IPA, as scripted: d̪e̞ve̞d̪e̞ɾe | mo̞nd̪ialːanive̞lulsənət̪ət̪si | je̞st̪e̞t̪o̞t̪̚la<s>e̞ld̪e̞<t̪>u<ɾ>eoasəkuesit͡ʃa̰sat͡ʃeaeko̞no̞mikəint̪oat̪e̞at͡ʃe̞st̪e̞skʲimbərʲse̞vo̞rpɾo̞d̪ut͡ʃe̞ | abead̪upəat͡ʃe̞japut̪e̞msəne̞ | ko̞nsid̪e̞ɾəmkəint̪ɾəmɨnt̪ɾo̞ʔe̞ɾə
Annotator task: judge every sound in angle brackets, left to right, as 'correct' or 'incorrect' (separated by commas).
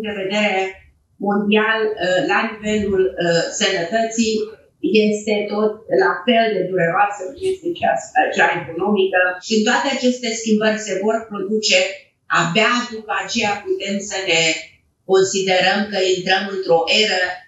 incorrect, incorrect, correct